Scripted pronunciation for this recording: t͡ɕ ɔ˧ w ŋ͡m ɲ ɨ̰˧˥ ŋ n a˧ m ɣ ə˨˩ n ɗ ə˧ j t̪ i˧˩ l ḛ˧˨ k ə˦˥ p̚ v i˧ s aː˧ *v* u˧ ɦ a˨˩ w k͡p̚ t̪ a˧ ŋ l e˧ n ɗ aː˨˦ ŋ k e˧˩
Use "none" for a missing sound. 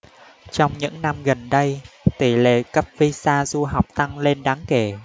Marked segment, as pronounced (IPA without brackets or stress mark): z